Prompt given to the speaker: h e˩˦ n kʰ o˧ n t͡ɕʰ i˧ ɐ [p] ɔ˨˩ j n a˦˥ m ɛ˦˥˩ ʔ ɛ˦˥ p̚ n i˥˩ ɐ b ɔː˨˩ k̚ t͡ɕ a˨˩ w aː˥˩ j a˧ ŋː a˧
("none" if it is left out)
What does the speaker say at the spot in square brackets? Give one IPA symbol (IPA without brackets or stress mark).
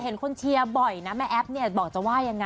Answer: b